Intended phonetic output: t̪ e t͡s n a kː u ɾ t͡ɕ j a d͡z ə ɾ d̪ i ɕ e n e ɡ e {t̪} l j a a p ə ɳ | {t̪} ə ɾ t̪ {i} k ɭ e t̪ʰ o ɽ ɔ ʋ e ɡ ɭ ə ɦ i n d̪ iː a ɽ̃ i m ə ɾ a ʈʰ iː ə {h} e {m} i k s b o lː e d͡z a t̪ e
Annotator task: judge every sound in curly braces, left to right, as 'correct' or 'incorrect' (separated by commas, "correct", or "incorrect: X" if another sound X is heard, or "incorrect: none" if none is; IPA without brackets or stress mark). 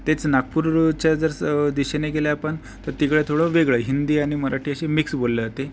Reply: incorrect: none, correct, correct, incorrect: ɕ, correct